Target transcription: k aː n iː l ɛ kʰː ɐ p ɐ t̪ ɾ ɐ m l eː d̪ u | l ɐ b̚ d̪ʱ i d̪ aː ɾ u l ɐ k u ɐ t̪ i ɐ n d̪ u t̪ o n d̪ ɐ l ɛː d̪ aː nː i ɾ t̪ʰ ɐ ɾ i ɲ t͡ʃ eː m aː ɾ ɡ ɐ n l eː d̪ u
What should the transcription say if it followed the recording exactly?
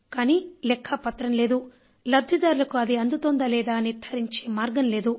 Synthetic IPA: k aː n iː l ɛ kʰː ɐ p ɐ t̪ ɾ ɐ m l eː d̪ u | l ɐ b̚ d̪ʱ i d̪ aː ɾ u l ɐ k u ɐ d̪ i ɐ n d̪ u t̪ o n d̪ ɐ l ɛː d̪ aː n i ɾ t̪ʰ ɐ ɾ i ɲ t͡ʃ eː m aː ɾ ɡ ɐ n l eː d̪ u